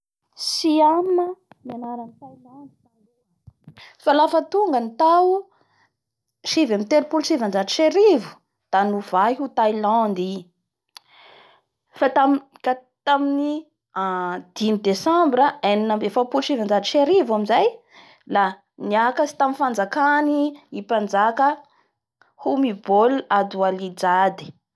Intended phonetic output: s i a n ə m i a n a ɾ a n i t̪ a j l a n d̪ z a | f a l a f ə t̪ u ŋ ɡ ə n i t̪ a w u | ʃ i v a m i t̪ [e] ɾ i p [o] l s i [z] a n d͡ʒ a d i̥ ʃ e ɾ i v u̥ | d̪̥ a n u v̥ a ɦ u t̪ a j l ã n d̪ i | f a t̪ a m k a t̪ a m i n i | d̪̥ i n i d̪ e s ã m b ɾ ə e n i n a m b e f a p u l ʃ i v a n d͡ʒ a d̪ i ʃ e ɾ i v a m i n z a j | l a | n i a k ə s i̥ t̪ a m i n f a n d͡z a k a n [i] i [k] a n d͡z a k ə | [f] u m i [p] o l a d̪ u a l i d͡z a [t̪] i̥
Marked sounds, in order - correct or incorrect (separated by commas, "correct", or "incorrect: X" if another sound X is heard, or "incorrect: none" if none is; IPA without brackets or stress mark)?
correct, incorrect: u, incorrect: v, correct, incorrect: p, incorrect: h, incorrect: b, incorrect: d̪